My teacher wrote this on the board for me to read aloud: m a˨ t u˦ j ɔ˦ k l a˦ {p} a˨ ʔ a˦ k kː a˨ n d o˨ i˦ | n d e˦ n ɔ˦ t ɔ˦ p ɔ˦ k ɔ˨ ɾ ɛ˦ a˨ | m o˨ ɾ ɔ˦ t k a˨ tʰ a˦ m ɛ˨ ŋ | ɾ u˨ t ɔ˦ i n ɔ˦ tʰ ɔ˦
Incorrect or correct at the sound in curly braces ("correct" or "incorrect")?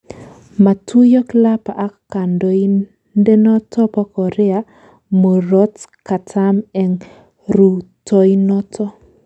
correct